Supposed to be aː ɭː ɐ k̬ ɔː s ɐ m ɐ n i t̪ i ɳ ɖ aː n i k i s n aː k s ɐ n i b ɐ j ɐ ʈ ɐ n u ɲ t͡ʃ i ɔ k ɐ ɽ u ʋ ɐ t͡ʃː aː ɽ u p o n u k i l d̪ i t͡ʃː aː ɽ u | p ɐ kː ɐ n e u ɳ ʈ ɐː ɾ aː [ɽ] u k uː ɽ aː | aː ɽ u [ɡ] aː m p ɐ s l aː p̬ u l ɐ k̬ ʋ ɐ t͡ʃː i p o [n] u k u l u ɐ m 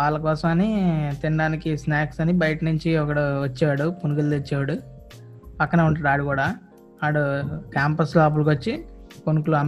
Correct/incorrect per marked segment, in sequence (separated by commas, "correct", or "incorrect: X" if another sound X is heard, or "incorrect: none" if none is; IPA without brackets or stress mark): correct, incorrect: k, correct